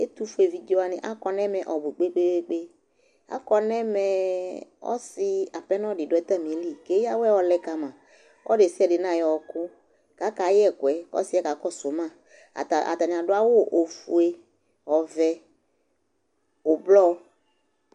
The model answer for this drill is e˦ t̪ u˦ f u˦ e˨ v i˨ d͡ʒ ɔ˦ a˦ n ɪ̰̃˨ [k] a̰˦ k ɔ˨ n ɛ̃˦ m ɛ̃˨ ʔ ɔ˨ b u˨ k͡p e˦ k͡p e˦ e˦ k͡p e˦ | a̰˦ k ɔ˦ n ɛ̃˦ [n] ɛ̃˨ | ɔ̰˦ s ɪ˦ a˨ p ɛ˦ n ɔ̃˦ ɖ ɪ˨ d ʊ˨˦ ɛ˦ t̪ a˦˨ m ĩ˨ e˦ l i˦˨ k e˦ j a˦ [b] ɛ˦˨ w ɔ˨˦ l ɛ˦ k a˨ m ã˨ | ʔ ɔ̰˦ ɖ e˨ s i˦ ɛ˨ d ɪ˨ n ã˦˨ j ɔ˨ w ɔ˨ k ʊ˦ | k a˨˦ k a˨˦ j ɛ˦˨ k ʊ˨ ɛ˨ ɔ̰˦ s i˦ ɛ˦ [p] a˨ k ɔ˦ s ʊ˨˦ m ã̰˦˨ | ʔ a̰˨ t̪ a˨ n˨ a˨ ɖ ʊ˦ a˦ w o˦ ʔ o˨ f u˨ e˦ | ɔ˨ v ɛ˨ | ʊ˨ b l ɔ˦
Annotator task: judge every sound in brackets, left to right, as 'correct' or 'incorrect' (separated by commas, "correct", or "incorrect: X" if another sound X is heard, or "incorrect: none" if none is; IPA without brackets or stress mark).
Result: incorrect: ʔ, incorrect: m, incorrect: w, incorrect: k